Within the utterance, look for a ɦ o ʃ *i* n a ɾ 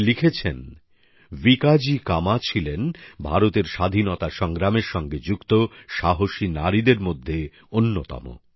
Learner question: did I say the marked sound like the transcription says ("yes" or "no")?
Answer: yes